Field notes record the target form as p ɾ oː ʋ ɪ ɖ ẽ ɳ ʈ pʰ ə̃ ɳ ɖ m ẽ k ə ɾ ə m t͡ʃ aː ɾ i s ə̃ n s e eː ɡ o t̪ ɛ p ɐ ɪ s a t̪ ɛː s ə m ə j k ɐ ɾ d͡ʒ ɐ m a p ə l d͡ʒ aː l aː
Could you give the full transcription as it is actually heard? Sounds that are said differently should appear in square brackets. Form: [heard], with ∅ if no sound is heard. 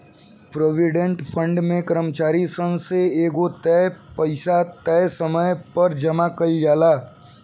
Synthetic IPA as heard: p ɾ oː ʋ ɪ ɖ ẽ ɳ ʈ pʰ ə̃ ɳ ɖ m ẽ k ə ɾ ə m t͡ʃ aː ɾ i s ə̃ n s e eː ɡ o t̪ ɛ p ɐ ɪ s a t̪ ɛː s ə m ə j [p] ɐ ɾ d͡ʒ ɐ m a [k] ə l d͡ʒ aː l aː